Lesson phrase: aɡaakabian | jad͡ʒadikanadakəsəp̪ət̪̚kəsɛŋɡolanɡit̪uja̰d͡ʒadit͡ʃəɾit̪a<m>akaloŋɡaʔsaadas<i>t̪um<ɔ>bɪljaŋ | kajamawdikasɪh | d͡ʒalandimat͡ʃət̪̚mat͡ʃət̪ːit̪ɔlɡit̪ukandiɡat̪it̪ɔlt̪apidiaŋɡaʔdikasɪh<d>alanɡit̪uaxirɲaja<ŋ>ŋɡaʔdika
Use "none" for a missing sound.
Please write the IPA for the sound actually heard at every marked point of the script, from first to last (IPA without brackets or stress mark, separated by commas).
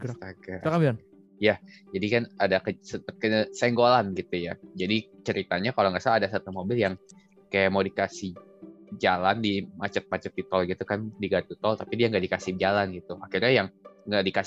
ɲ, a, o, d͡ʒ, ŋ